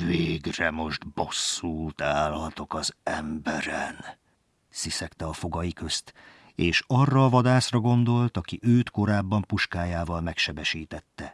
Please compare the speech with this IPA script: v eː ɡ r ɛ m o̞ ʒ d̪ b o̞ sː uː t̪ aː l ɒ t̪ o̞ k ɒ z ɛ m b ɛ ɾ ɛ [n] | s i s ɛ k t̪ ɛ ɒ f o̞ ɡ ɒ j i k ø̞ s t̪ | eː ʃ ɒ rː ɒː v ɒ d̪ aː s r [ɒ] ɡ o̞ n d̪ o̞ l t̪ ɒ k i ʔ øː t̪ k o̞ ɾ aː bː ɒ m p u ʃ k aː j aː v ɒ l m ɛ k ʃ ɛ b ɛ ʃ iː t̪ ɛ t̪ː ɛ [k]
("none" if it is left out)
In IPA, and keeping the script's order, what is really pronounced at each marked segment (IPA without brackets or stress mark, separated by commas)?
n, ɒ, none